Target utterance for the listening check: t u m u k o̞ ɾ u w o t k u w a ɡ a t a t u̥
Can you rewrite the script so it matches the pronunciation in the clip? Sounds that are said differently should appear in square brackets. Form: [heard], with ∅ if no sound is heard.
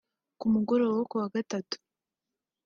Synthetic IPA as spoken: [k] u m u [ɡ] o̞ ɾ [o] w o [∅] k u w a ɡ a t a t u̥